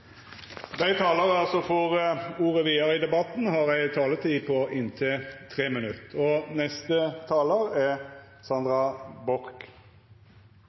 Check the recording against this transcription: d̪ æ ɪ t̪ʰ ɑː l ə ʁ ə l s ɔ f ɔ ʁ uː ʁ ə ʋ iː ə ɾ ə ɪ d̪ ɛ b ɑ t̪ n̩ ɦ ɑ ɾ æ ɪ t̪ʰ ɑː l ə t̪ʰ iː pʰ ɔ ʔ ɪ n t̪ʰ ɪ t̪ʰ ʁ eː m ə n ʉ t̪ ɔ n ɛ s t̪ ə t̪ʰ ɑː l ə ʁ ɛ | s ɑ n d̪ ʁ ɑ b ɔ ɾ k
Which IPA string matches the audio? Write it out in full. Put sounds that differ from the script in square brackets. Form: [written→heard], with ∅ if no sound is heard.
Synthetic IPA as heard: d̪ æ ɪ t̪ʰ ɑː l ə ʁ [ə→ɑ] l s ɔ f ɔ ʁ uː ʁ ə ʋ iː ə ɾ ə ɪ d̪ ɛ b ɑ t̪ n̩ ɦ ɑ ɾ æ ɪ t̪ʰ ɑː l ə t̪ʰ iː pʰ ɔ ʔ ɪ n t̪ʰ ɪ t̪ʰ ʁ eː m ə n ʉ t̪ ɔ n ɛ s t̪ ə t̪ʰ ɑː l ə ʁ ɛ | s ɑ n d̪ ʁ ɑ b ɔ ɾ k